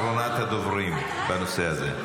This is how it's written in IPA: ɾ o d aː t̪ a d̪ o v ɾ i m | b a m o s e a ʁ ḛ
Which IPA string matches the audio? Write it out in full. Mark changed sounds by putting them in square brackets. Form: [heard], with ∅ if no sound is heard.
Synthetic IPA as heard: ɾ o [n] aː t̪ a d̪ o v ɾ i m | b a [n] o s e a [z] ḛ